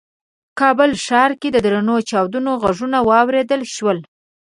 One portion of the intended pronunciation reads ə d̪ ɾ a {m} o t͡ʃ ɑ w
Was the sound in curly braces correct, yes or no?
no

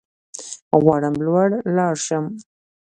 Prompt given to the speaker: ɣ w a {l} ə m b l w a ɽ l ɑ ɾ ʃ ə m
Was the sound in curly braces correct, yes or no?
no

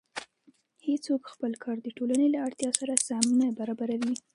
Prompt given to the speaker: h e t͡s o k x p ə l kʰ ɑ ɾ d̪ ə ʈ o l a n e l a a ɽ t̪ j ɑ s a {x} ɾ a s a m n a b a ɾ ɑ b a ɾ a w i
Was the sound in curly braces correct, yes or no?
no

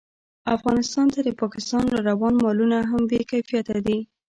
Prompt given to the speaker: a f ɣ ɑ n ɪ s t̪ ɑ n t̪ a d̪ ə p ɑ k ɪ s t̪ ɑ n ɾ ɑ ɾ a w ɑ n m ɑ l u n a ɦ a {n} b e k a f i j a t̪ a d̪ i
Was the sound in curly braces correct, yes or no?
no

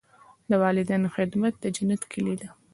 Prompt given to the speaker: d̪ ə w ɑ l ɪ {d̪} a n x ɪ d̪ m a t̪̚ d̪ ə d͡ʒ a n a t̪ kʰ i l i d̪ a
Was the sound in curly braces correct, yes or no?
yes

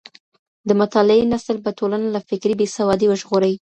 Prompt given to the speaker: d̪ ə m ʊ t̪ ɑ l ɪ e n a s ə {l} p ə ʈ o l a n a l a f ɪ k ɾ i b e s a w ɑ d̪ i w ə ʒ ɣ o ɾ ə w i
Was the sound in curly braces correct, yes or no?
yes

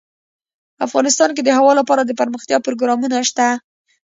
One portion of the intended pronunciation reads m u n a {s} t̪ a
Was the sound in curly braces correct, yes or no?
no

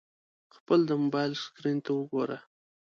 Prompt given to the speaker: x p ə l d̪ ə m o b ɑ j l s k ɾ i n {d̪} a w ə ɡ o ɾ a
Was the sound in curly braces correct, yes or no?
no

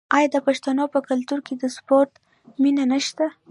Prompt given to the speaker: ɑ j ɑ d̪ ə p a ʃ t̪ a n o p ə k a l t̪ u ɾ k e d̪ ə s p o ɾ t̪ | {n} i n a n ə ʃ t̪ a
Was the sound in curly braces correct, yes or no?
no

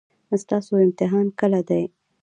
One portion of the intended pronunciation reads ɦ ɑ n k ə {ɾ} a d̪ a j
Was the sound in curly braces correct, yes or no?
no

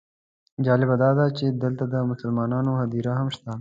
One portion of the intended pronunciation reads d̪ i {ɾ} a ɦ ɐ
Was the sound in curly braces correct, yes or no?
yes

